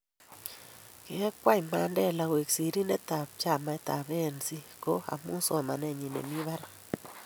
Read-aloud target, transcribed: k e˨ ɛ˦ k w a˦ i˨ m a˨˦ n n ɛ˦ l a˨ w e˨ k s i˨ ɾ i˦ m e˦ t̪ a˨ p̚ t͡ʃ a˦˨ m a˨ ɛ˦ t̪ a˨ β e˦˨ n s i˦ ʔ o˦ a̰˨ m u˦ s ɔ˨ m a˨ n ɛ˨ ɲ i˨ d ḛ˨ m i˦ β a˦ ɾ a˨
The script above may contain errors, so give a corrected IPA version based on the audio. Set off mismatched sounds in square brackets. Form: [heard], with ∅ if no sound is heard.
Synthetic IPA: k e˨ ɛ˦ k w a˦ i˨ m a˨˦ n [d] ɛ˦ l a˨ w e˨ k s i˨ ɾ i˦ [n] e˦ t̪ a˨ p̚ t͡ʃ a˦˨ m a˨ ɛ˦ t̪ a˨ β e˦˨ n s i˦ [k] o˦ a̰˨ m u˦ s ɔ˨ m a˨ n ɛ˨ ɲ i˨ [n] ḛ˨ m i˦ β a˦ ɾ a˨